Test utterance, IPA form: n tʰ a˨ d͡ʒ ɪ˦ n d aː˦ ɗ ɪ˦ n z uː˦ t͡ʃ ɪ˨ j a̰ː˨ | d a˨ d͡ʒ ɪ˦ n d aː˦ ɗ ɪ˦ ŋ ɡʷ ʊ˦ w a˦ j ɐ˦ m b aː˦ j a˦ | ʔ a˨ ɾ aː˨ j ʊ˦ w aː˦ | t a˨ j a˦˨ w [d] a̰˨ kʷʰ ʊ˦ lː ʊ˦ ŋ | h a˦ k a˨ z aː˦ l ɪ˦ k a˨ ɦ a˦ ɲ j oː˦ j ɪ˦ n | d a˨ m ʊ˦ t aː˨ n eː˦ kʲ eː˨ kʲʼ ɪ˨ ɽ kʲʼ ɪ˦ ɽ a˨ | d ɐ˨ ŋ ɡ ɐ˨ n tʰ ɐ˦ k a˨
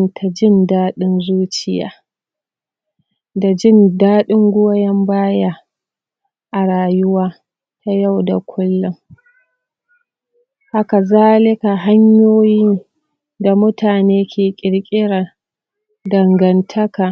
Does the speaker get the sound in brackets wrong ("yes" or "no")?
no